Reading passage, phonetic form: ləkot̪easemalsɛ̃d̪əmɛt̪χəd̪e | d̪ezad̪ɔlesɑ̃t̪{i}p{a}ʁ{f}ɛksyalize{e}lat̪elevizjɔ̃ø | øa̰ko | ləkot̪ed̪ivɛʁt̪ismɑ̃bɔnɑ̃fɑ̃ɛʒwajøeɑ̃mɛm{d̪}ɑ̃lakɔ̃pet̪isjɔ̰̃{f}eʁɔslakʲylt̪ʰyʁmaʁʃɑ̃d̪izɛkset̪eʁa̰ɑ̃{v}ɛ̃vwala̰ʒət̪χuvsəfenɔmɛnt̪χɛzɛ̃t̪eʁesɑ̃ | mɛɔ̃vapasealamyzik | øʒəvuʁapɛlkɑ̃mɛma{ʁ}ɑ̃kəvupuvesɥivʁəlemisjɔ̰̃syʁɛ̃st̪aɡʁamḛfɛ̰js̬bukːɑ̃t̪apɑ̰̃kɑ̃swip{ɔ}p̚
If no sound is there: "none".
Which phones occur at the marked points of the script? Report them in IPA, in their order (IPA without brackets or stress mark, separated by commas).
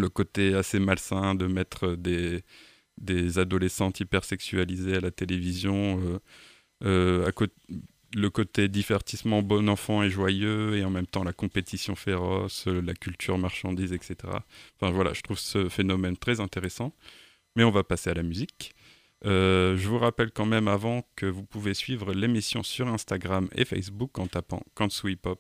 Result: i, ɛ, s, a, t̪, f, f, v, ɔ